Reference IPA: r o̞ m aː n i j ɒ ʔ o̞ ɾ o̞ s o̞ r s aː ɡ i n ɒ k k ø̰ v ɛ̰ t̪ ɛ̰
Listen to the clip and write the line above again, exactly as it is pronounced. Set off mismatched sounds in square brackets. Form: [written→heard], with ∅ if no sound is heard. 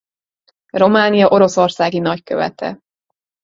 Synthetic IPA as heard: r o̞ m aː n i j ɒ ʔ o̞ ɾ o̞ s o̞ r s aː ɡ i n ɒ [k→c] k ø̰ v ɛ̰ t̪ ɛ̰